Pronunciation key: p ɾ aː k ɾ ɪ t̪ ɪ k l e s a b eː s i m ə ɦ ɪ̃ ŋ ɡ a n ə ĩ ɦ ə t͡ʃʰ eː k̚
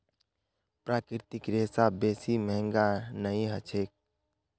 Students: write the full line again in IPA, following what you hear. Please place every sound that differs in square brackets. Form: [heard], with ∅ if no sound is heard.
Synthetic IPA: p ɾ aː k ɾ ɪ t̪ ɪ k [ɾ] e s a b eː s i m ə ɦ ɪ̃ ŋ ɡ a n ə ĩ ɦ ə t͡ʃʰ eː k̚